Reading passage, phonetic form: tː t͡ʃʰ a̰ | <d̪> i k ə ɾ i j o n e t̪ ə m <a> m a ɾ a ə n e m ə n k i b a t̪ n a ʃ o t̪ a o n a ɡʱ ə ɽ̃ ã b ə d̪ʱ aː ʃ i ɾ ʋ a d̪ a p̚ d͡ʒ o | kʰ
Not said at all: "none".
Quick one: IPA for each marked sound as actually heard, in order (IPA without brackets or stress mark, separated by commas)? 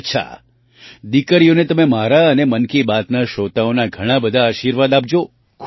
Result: d̪, e